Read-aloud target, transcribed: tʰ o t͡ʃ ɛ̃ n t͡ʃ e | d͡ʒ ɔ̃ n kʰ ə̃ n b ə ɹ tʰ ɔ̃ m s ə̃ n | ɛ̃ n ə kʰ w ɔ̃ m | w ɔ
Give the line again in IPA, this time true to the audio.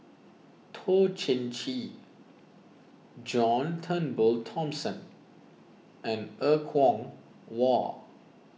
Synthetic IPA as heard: tʰ o t͡ʃ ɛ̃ n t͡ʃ i | d͡ʒ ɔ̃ n tʰ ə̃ n b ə l tʰ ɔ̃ m s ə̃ n | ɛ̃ n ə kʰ w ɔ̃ ŋ | w ɔ

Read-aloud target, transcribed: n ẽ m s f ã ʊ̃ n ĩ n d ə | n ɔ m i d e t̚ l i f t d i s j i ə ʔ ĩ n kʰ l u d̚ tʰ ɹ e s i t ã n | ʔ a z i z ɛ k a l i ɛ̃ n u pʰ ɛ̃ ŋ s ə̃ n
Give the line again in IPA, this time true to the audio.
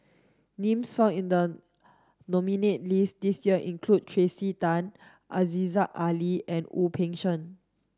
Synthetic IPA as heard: n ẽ m s f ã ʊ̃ n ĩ n d ə | n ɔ m i n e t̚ l i s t d i s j i ə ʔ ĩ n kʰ l u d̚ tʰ ɹ e s i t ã n | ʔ a z i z a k a l i ɛ̃ n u pʰ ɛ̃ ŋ ʃ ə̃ n

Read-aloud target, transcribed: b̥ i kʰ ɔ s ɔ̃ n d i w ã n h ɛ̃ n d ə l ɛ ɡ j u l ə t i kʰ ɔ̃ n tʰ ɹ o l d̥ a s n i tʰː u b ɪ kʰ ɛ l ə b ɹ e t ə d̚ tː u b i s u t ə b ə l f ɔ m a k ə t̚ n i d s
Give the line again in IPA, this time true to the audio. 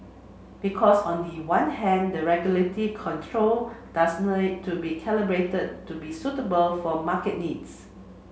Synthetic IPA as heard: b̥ i kʰ ɔ s ɔ̃ n d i w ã n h ɛ̃ n d ə ɹ ɛ ɡ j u l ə t i kʰ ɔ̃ n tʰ ɹ o l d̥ a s n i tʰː u b i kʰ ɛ l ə b ɹ e t ə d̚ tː u b i s u t ə b ə l f ɔ m a k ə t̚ n i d s

